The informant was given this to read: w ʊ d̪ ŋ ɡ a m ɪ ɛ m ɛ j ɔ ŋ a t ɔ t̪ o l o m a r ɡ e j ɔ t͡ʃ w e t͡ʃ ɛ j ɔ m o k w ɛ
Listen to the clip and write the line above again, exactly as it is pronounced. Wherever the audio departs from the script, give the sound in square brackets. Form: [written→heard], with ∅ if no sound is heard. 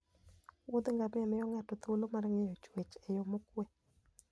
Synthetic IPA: w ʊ d̪ ŋ ɡ a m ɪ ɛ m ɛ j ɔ ŋ a t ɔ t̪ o l o m a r [ɡ→ŋ] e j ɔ t͡ʃ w e t͡ʃ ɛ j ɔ m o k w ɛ